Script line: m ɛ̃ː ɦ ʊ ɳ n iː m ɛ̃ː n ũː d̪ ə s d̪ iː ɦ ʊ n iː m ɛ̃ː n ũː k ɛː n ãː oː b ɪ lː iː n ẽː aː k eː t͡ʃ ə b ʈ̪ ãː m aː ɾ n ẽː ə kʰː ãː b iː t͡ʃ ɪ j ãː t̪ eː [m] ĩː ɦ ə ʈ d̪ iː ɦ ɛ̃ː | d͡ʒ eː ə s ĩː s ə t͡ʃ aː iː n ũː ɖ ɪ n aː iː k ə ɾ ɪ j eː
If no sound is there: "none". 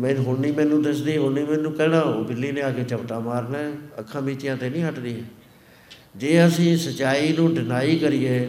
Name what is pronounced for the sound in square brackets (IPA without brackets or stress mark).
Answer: n